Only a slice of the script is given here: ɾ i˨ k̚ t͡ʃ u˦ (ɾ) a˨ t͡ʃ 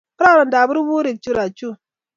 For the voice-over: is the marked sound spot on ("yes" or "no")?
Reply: yes